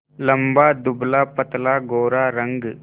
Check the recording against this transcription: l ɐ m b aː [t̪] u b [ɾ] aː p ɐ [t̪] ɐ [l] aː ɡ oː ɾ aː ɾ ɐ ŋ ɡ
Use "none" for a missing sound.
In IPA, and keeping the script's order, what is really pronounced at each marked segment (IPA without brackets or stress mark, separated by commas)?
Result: d̪, l, t̪, l